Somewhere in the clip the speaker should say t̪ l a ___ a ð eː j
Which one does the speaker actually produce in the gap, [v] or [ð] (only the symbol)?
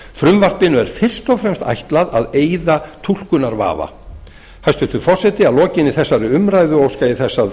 ð